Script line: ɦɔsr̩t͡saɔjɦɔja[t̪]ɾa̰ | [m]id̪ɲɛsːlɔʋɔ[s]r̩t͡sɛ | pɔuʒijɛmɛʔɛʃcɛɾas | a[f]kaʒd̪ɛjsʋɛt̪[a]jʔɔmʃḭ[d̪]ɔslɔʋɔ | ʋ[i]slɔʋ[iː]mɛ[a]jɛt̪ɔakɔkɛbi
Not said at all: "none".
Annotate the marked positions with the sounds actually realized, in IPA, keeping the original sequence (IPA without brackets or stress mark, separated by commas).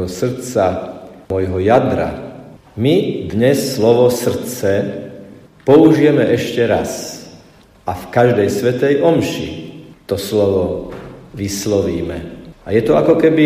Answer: d̪, m, s, f, ɛ, t̪, i, iː, a